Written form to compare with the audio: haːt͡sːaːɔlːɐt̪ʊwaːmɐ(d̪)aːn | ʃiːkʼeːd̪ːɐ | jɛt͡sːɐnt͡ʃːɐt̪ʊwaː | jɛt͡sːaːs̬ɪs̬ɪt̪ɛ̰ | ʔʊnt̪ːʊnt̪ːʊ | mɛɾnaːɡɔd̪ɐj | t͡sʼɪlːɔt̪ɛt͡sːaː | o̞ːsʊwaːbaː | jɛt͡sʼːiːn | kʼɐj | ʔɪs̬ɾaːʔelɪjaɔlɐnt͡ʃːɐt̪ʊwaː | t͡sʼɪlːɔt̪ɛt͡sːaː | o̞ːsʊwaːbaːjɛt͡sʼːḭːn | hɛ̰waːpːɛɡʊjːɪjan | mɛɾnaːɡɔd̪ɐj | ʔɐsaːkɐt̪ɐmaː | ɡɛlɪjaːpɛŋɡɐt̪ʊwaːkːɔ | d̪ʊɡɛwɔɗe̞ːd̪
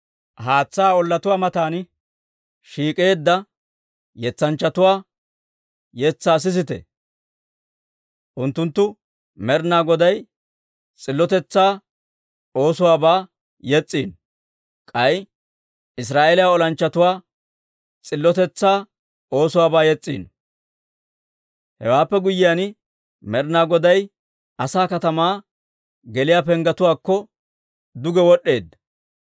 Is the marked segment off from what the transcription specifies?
yes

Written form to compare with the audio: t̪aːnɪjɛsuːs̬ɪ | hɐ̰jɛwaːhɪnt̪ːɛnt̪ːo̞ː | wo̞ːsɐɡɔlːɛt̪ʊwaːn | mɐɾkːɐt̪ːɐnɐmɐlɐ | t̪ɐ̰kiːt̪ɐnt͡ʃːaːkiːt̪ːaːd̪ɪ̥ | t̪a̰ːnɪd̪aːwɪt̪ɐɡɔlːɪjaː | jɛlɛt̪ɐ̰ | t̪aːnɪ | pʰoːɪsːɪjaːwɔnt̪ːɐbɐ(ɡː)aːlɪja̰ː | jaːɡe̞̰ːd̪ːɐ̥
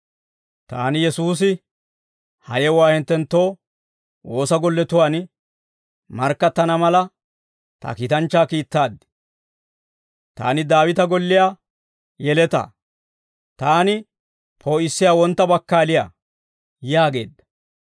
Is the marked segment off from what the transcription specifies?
yes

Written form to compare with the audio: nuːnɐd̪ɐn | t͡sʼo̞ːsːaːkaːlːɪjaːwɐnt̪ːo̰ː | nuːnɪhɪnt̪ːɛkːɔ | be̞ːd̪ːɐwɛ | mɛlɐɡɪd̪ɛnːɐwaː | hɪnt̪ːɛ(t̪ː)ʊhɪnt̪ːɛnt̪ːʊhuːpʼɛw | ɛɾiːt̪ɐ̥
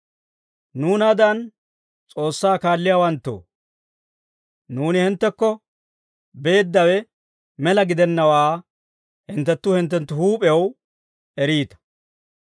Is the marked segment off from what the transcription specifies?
no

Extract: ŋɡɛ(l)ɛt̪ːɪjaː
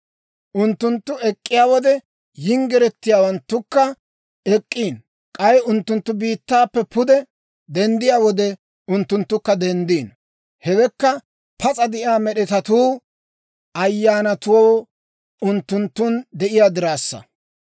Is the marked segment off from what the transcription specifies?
yes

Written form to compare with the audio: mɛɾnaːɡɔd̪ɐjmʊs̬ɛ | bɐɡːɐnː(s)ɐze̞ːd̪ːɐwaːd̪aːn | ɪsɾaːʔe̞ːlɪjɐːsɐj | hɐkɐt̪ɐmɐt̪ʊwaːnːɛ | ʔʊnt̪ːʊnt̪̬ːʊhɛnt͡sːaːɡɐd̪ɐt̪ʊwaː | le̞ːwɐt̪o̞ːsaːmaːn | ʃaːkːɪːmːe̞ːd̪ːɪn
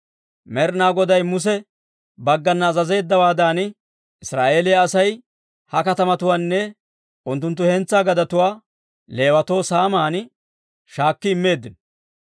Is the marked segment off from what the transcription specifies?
yes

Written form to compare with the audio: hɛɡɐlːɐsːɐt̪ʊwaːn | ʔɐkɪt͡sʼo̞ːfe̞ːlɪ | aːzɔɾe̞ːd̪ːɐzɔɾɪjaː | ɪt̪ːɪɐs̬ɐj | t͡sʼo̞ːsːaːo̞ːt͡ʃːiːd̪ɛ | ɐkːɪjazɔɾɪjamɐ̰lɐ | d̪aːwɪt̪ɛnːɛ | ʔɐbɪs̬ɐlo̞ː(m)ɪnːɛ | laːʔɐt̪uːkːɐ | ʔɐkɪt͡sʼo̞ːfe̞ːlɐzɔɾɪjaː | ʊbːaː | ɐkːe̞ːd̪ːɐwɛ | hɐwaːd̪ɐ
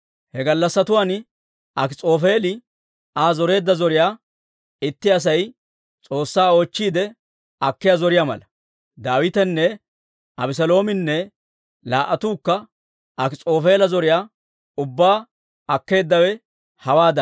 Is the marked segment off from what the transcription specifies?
no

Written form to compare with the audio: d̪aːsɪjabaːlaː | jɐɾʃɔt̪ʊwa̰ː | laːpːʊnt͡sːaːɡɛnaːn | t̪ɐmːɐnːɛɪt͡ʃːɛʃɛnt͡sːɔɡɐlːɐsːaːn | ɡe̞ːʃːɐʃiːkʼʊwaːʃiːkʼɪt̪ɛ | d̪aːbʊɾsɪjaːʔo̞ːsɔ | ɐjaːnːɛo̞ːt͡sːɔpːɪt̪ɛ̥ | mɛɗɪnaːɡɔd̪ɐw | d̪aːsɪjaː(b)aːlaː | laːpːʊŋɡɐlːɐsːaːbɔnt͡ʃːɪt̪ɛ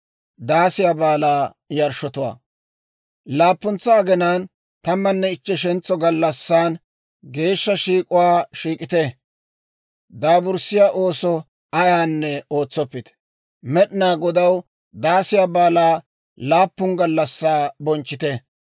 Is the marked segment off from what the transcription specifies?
no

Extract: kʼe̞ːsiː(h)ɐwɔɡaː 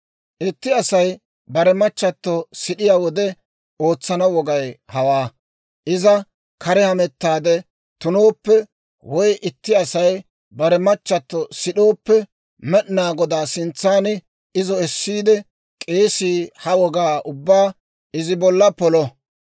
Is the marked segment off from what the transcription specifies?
no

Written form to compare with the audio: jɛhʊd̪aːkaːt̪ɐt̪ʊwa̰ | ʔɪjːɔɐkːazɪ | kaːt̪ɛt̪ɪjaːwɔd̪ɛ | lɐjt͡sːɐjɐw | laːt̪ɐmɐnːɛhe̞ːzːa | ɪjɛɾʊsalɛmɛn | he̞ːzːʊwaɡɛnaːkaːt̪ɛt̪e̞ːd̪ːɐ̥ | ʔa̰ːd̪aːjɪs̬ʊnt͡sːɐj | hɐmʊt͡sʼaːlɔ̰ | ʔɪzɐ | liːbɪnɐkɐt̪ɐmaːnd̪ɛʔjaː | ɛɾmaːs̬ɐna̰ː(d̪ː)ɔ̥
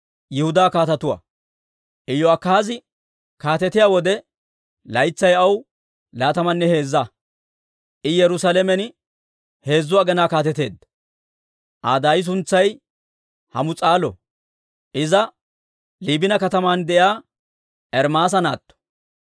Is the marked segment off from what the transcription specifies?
yes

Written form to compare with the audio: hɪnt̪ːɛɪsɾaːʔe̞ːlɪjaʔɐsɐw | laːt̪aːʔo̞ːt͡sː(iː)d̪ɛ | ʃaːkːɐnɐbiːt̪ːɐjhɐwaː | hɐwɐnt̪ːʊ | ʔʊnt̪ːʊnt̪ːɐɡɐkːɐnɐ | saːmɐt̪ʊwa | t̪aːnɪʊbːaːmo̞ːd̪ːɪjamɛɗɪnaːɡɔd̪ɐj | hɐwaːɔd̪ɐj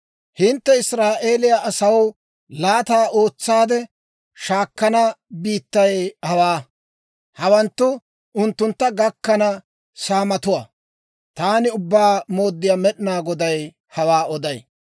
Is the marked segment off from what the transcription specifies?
yes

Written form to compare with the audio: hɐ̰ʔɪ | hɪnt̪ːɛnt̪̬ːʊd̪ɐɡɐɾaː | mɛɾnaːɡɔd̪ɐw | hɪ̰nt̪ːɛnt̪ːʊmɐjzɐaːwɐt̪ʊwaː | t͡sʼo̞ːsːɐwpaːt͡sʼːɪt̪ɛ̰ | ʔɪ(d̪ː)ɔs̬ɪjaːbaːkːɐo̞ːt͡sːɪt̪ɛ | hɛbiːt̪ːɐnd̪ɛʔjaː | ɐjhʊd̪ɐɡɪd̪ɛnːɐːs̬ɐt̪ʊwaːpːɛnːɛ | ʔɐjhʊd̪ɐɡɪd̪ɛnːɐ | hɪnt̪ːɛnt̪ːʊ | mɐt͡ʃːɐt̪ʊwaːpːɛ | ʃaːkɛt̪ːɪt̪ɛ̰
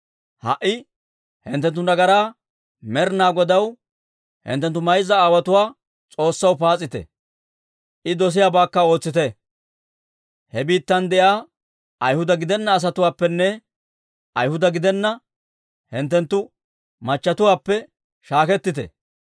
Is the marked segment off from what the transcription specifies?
yes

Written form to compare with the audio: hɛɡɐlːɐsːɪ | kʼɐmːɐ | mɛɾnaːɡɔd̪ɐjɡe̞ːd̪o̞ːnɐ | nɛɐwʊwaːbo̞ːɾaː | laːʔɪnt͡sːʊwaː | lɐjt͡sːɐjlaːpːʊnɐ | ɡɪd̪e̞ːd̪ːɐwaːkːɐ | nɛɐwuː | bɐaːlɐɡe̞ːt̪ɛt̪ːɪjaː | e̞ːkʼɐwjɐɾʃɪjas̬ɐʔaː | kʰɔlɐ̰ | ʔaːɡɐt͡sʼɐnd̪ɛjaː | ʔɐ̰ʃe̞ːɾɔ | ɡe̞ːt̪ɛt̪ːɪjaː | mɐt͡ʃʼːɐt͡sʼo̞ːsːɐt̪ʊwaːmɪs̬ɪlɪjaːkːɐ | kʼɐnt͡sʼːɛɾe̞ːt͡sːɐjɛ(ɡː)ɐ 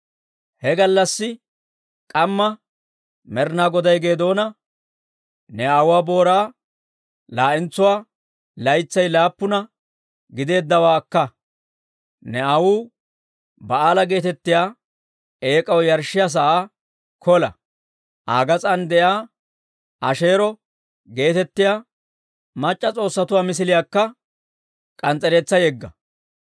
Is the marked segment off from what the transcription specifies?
no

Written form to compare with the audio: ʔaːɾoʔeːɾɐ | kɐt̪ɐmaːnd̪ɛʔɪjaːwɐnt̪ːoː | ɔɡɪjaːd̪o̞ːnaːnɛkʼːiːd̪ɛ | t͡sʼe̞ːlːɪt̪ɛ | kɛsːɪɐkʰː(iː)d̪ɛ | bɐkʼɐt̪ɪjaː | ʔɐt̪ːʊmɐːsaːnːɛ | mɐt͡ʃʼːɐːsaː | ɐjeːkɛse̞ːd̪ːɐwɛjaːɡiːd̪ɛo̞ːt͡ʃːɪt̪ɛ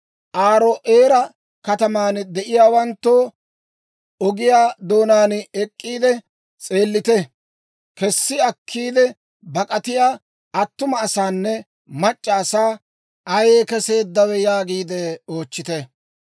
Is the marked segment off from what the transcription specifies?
no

